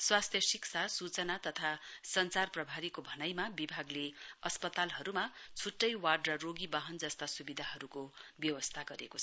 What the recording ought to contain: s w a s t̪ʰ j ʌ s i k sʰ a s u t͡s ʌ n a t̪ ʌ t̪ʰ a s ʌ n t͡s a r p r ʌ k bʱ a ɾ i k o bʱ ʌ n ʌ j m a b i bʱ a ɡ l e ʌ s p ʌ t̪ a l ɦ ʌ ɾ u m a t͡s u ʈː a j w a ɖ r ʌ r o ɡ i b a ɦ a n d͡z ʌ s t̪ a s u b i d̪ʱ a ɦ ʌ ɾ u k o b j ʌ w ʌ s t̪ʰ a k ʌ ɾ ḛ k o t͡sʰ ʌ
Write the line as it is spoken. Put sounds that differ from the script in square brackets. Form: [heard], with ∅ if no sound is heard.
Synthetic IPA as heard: s w a s t̪ʰ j ʌ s i k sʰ a s u t͡s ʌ n a t̪ ʌ t̪ʰ a s ʌ n t͡s a r p r ʌ [∅] bʱ a ɾ i k o bʱ ʌ n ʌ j m a b i bʱ a ɡ l e ʌ s p ʌ t̪ a l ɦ ʌ ɾ u m a [t͡sʰ] u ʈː [ʌ] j w a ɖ r ʌ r o ɡ i b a ɦ [ʌ] n d͡z ʌ s t̪ a s u b i d̪ʱ a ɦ ʌ ɾ u k o b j ʌ w ʌ s t̪ʰ a [ɡ] ʌ ɾ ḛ k o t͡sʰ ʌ

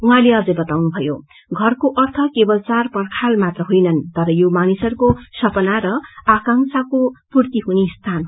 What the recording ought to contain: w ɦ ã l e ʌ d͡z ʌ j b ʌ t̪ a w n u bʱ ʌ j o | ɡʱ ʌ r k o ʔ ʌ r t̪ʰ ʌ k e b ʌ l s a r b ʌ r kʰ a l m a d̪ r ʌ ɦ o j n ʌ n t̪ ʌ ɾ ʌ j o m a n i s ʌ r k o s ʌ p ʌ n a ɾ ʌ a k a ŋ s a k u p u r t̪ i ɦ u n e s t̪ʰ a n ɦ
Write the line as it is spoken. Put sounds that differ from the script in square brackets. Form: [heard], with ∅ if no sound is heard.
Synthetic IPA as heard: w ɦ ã l e ʌ d͡z ʌ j b ʌ t̪ a w n u bʱ ʌ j o | ɡʱ ʌ r k o ʔ ʌ r t̪ʰ ʌ k e b ʌ l [t͡s] a r [p] ʌ r kʰ a l m a [t̪] r ʌ ɦ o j n ʌ n t̪ ʌ ɾ ʌ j o m a n i s ʌ r k o s ʌ p ʌ n a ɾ ʌ a k a ŋ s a k [o] p u r t̪ i ɦ u n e s t̪ʰ a n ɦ

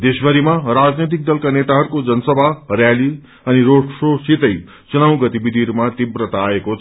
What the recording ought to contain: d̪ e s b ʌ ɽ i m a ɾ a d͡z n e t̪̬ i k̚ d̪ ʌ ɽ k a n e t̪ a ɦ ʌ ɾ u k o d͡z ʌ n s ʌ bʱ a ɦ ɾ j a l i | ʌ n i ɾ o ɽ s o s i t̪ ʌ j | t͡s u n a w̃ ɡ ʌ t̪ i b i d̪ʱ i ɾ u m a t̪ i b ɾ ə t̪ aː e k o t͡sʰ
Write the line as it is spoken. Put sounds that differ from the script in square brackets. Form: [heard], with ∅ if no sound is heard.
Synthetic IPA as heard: d̪ e s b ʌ [ɾ] i m a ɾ a d͡z n e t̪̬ i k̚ d̪ ʌ [l] k a n e t̪ a ɦ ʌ ɾ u k o d͡z ʌ n s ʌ bʱ a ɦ ɾ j a l i | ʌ n i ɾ o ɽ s o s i t̪ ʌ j | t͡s u n a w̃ ɡ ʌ t̪ i b i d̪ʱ i ɾ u m a t̪ i b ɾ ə t̪ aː e k o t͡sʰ

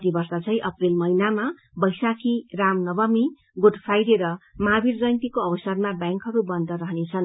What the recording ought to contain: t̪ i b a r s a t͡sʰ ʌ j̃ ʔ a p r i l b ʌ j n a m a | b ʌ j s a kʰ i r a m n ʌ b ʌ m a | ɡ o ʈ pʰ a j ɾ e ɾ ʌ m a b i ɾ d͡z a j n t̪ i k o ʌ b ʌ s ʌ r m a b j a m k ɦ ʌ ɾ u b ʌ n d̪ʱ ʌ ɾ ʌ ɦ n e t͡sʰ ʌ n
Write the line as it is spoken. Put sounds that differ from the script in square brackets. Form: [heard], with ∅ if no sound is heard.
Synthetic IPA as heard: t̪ i b [ʌ] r s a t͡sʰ ʌ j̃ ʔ [ʌ] p r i l [m] ʌ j n a m a | b ʌ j s a kʰ i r a m n ʌ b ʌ m [i] | ɡ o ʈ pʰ a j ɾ e ɾ ʌ m a b i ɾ d͡z [ʌ] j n t̪ i k o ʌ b ʌ s ʌ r m a b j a [ŋ] k ɦ ʌ ɾ u b ʌ n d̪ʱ ʌ ɾ ʌ ɦ n e t͡sʰ ʌ n

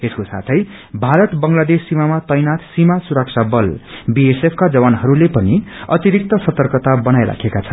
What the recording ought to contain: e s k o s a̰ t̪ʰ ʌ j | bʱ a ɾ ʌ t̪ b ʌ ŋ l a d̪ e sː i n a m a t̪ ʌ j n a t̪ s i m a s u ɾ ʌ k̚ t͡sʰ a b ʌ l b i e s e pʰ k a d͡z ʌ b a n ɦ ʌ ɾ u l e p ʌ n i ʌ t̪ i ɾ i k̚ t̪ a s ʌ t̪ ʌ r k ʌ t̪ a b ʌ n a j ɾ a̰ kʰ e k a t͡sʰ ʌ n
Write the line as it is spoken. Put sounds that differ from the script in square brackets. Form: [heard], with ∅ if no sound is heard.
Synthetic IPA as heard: e s k o s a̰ t̪ʰ ʌ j | bʱ a ɾ ʌ t̪ b ʌ ŋ l a d̪ e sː i [m] a m a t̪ ʌ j n a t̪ s i m a s u ɾ ʌ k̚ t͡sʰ a b ʌ l b i e s e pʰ k a d͡z ʌ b a n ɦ ʌ ɾ u l e p ʌ n i ʌ t̪ i ɾ i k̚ t̪ [ʌ] s ʌ t̪ ʌ r k ʌ t̪ a b ʌ n a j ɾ a̰ kʰ e k a t͡sʰ ʌ n

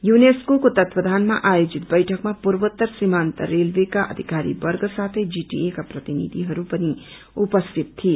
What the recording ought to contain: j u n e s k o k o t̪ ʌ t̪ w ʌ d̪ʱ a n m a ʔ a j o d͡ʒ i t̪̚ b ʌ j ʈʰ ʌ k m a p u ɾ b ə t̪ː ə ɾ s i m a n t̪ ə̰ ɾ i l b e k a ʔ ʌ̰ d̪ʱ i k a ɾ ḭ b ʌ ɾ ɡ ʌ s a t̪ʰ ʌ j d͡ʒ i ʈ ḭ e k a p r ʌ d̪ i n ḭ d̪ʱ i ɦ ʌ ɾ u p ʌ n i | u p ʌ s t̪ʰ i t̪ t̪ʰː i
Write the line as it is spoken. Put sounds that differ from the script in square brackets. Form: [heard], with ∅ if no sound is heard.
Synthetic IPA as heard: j u n e s k o k o t̪ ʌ t̪ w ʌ d̪ʱ a n m a ʔ a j o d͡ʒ i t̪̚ b ʌ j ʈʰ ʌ k m a p u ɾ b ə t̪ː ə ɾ s i m a n t̪ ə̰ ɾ [e] l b e k a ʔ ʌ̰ d̪ʱ i k a ɾ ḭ b ʌ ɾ ɡ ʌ s a t̪ʰ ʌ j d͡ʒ i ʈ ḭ e k a p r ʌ [t̪] i n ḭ d̪ʱ i ɦ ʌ ɾ u p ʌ n i | u p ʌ s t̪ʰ i t̪ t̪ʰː i

